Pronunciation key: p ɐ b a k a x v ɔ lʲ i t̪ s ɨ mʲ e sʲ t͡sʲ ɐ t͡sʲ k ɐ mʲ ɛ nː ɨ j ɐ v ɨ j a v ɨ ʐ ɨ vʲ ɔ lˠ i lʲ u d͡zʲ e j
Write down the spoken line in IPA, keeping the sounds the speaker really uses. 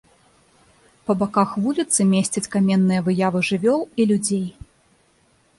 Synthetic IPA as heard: p ɐ b a k a x v u lʲ i t̪ s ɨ mʲ e sʲ t͡sʲ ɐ t͡sʲ k a mʲ ɛ nː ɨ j ɐ v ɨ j a v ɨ ʐ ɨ vʲ ɔ lˠ i lʲ u d͡zʲ e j